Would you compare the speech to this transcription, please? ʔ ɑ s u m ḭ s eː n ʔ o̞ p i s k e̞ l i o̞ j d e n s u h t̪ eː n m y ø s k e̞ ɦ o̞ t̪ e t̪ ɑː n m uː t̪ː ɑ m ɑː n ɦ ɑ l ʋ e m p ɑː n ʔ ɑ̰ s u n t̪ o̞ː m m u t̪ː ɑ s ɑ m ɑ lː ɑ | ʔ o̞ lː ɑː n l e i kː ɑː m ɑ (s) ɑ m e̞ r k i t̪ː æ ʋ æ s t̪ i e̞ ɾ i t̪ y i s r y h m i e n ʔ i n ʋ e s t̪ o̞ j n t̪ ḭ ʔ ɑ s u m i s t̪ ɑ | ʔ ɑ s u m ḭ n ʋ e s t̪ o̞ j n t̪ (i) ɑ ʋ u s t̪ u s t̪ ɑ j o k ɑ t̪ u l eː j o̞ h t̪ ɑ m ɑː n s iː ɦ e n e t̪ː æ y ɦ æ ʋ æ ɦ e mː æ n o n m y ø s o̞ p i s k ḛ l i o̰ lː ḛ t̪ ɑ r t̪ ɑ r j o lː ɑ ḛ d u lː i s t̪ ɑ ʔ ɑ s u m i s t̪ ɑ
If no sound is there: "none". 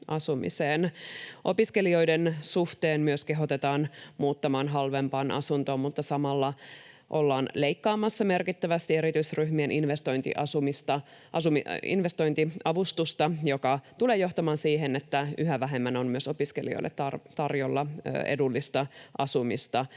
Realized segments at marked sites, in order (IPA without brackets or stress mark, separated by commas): sː, i